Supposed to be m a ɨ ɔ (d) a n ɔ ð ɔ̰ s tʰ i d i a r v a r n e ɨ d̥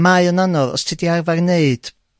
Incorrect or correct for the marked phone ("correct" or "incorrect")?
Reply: incorrect